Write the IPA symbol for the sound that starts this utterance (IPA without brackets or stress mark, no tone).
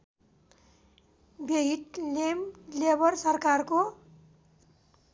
b